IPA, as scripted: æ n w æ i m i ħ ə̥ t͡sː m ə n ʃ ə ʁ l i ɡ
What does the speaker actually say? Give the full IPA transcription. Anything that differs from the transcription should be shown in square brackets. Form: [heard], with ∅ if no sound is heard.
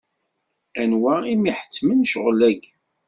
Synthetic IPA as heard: æ n w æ i m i ħ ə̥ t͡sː m ə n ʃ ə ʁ l [æ] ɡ